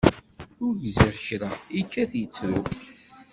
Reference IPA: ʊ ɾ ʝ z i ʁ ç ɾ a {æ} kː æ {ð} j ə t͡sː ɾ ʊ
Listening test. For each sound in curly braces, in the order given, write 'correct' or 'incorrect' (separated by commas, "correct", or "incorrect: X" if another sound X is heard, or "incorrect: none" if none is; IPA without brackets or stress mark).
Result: incorrect: i, incorrect: θ